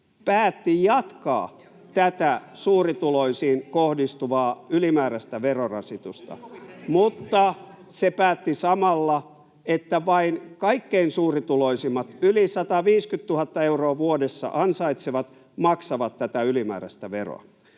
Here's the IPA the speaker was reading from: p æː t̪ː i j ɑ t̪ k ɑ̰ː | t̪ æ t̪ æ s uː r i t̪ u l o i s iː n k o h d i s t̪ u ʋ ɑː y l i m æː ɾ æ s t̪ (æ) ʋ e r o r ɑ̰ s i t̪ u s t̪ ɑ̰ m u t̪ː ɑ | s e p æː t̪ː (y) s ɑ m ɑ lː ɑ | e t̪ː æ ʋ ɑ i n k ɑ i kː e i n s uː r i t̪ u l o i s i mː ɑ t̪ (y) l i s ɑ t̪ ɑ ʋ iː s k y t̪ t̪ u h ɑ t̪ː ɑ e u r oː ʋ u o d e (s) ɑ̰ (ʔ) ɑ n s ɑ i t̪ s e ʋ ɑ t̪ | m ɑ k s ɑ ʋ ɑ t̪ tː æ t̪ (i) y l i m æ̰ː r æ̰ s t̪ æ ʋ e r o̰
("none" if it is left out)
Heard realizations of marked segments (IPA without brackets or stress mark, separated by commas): æ, i, y, sː, ʔ, æ